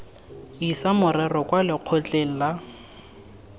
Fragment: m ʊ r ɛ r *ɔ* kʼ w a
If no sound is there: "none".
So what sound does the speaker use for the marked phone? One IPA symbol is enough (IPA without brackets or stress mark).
ɔ